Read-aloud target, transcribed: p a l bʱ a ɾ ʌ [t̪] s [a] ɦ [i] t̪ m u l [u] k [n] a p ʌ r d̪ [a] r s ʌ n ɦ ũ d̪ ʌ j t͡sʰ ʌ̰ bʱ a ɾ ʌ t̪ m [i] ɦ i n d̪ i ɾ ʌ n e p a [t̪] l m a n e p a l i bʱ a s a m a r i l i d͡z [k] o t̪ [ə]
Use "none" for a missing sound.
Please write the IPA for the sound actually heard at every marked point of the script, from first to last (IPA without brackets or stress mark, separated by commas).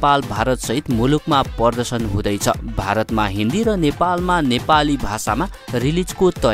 t̪, ʌ, i, u, m, ʌ, a, none, k, ʌ